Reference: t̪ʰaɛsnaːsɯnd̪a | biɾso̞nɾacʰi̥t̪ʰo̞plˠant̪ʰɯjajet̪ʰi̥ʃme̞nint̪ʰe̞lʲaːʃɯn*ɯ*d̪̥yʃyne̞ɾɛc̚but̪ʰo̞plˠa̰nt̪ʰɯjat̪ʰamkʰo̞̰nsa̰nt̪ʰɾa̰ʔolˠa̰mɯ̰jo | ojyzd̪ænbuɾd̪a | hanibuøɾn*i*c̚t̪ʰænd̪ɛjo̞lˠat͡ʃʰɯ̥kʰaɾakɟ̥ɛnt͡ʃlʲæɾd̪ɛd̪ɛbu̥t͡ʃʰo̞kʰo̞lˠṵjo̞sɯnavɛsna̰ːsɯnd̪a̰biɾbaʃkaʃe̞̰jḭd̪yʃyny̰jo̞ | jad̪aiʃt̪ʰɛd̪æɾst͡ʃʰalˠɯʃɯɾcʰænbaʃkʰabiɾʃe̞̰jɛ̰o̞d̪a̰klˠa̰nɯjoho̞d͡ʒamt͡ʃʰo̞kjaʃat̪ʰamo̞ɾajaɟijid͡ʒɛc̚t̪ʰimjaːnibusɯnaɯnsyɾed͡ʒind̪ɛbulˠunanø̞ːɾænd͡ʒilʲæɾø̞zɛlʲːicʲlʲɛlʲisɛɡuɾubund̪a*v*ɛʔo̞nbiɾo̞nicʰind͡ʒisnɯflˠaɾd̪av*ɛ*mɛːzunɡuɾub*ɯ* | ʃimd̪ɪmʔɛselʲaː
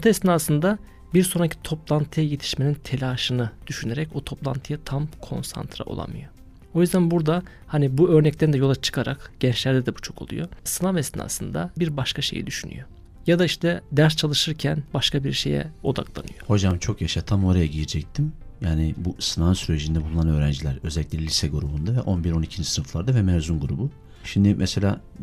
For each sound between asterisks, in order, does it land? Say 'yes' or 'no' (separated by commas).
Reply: yes, no, yes, yes, no